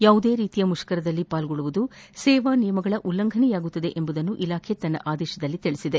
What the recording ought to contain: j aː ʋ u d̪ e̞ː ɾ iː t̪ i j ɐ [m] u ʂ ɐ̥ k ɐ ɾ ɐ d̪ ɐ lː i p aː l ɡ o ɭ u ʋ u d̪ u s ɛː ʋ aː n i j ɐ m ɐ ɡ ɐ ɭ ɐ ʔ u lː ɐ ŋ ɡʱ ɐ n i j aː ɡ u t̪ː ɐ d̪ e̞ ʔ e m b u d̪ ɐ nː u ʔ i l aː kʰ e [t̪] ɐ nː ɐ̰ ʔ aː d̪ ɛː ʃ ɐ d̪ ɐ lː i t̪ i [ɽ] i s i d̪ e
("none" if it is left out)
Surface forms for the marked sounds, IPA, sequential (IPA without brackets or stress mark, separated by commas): m, t̪, ɭ